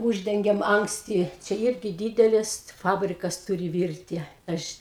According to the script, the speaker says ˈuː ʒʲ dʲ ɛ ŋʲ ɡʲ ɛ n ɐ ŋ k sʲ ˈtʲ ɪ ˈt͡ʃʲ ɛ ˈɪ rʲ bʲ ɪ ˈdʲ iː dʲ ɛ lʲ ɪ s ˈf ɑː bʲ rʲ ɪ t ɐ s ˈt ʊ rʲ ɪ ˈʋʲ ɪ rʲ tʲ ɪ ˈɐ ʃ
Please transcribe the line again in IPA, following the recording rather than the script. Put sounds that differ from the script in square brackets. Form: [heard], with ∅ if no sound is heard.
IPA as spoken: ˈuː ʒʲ dʲ ɛ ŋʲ ɡʲ ɛ [m] ɐ ŋ k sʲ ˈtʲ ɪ ˈt͡ʃʲ ɛ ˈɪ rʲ [ɡʲ] ɪ ˈdʲ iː dʲ ɛ lʲ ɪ s ˈf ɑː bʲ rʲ ɪ [k] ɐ s ˈt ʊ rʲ ɪ ˈʋʲ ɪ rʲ tʲ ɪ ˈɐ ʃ